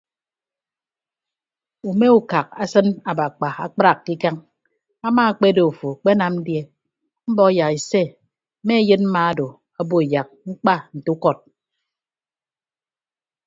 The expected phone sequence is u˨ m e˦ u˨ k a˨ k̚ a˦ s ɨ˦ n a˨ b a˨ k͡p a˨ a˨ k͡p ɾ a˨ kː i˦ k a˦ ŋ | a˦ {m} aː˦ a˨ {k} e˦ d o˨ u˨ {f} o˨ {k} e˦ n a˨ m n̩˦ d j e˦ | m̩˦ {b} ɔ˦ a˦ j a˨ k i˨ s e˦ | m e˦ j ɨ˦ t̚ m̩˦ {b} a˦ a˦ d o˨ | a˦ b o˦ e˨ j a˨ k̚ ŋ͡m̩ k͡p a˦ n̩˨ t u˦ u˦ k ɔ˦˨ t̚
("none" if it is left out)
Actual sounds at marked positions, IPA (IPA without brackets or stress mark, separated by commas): m, k͡p, f, k͡p, b, m